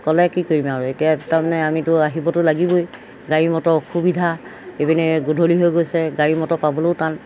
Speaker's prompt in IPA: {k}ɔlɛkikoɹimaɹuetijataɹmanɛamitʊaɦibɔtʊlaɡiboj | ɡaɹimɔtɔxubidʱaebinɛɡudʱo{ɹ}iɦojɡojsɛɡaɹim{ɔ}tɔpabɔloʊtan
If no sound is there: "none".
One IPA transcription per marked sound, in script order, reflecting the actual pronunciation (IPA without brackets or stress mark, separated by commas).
k, l, ɔ